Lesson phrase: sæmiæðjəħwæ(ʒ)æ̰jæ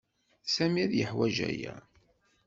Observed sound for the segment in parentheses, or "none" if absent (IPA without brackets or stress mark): ʒ